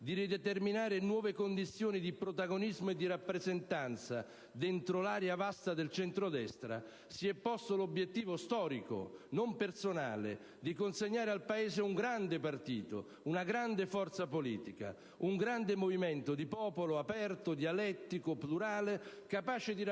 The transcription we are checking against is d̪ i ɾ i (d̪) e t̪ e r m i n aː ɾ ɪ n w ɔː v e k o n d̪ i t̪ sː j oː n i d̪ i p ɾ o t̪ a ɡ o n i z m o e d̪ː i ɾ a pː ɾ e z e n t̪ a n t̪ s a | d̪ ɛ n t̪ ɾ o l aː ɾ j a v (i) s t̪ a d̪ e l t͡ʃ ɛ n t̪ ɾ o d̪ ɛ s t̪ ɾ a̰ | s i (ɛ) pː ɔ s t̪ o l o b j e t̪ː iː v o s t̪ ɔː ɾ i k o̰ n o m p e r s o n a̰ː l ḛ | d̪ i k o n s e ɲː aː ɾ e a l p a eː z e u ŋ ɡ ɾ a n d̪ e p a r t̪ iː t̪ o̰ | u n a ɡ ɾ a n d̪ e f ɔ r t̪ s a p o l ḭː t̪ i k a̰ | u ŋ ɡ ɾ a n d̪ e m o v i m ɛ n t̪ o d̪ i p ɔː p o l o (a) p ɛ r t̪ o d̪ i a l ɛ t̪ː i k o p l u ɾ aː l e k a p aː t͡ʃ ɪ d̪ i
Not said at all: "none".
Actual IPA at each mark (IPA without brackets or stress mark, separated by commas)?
d̪, a, ɛ, a